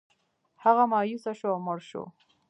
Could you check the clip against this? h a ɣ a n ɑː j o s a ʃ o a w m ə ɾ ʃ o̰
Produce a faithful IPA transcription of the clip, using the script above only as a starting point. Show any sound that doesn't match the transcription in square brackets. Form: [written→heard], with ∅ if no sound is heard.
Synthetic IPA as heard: h a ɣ a [n→m] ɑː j [o→u] s a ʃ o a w m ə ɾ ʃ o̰

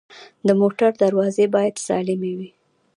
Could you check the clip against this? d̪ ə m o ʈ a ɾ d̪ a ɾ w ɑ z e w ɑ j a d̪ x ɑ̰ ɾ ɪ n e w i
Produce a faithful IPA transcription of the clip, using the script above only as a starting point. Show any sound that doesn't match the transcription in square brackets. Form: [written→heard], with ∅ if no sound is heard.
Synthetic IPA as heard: d̪ ə m o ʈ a ɾ d̪ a ɾ w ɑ z e [w→b] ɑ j a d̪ [x→s] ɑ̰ [ɾ→l] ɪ [n→m] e w i

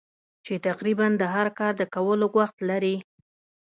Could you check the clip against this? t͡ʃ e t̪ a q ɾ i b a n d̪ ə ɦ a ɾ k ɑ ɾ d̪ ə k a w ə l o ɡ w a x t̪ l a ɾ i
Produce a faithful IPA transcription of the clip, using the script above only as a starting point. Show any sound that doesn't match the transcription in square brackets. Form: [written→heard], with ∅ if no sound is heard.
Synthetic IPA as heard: t͡ʃ e t̪ a q ɾ i b a n d̪ ə ɦ a ɾ k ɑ ɾ d̪ ə k a w ə l o ɡ w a x t̪ l a ɾ i

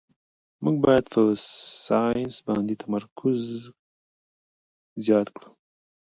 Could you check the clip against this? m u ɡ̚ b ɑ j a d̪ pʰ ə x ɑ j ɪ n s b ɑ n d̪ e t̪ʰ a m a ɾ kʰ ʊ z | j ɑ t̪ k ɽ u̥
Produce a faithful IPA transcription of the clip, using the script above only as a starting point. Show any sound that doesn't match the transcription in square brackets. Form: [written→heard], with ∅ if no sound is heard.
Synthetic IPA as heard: m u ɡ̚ b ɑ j a d̪ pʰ ə [x→s] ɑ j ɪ n s b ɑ n d̪ e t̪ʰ a m a ɾ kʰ ʊ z | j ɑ t̪ k ɽ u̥

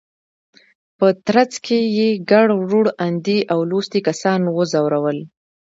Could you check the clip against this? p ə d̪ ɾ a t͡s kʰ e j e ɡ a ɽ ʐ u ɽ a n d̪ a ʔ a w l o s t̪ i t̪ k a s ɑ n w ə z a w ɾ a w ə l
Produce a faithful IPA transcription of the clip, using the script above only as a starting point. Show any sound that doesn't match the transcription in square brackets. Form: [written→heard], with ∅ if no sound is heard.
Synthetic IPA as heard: p ə [d̪→t̪] ɾ a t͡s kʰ e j e ɡ a ɽ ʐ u ɽ a n d̪ [a→i] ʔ a w l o s t̪ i [t̪→∅] k a s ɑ n w ə z a w ɾ a w ə l

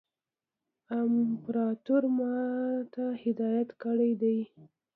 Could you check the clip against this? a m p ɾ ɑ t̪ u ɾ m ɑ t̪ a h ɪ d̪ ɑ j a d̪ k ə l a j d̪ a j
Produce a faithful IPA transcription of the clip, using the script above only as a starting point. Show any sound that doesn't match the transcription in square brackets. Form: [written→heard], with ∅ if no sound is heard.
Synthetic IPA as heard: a m p ɾ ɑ t̪ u ɾ m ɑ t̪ a h ɪ d̪ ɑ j a [d̪→t̪] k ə [l→ɽ] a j d̪ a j

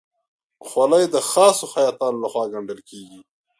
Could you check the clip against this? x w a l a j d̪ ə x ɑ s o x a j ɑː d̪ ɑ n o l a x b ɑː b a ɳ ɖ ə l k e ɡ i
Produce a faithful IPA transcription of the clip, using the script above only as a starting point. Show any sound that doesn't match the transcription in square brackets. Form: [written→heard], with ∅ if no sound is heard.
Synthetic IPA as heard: x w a l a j d̪ ə x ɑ s o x a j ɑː [d̪→t̪] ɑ n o l a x [b→w] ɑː [b→ɡ] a ɳ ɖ ə l k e ɡ i

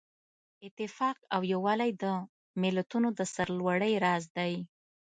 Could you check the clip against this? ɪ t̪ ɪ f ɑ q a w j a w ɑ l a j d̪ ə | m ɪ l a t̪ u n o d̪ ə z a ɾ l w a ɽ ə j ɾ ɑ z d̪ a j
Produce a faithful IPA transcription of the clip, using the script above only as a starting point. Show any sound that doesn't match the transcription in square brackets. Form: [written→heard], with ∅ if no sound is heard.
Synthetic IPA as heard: ɪ t̪ ɪ f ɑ q a w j a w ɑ l a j d̪ ə | m ɪ l a t̪ u n o d̪ ə [z→s] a ɾ l w a ɽ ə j ɾ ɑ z d̪ a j

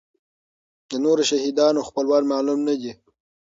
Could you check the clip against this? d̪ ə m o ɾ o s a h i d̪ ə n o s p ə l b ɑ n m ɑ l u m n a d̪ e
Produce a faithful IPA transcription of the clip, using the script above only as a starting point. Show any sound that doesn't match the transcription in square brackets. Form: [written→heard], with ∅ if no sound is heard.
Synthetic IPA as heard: d̪ ə [m→n] o ɾ o [s→ʃ] a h i d̪ [ə→ɑ] n o [s→x] p ə l [b→w] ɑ n m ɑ l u m n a d̪ [e→i]

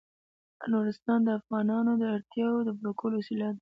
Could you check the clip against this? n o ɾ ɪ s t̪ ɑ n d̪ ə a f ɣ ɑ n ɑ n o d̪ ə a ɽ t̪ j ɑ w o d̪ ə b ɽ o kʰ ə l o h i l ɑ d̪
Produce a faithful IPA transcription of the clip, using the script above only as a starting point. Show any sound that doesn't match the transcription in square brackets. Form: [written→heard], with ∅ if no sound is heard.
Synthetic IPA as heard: n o ɾ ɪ s t̪ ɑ n d̪ ə a f ɣ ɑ n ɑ n o d̪ ə a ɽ t̪ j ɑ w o d̪ ə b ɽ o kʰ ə l o [h→s] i l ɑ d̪

